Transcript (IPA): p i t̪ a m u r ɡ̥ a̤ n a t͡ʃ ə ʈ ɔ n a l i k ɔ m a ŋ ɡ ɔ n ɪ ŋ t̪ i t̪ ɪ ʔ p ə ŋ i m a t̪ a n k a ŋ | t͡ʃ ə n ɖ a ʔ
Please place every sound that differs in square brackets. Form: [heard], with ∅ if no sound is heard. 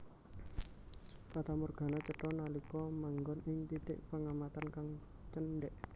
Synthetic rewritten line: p [a] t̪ a m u r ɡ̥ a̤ n a t͡ʃ ə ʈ ɔ n a l i k ɔ m a ŋ ɡ ɔ n ɪ ŋ t̪ i t̪ ɪ ʔ p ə ŋ [a] m a t̪ a n k a ŋ | t͡ʃ ə n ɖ [ɛ] ʔ